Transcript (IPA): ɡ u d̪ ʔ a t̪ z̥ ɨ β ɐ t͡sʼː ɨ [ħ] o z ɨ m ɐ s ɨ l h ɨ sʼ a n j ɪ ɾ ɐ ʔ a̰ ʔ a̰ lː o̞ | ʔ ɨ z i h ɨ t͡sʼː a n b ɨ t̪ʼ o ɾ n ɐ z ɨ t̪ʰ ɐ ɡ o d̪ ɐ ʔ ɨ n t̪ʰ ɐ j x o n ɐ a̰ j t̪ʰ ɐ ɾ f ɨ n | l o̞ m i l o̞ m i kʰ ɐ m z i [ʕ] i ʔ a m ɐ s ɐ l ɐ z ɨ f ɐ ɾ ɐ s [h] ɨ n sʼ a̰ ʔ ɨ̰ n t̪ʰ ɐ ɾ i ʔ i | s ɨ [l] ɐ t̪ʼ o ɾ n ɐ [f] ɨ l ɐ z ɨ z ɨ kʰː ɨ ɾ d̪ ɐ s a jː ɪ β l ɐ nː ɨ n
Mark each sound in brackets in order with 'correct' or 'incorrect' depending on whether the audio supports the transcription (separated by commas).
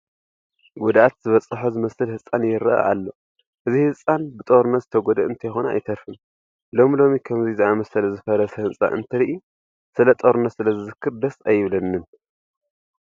correct, incorrect, correct, correct, incorrect